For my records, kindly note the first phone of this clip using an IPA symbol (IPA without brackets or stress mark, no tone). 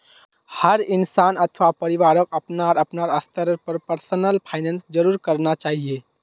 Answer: h